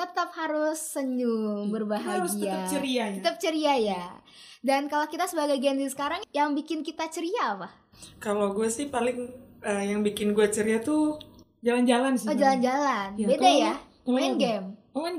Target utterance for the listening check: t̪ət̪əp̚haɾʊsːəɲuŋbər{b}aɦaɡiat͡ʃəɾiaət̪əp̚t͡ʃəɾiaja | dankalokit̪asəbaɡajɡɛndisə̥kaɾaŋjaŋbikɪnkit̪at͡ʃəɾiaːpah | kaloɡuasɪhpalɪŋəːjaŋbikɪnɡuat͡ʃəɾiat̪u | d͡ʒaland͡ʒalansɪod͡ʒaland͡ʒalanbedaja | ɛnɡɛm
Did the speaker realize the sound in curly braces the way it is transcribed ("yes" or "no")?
yes